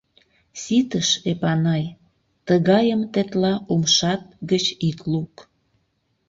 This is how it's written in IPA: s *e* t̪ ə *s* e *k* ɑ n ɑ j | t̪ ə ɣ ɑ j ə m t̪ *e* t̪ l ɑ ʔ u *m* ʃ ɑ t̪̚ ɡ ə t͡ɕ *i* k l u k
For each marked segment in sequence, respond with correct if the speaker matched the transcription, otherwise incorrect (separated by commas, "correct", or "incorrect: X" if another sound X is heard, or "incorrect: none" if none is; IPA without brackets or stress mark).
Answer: incorrect: i, incorrect: ʃ, incorrect: p, correct, correct, correct